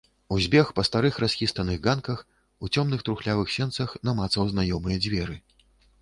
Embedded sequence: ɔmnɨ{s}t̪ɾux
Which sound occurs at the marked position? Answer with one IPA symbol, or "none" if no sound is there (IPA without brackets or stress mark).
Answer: x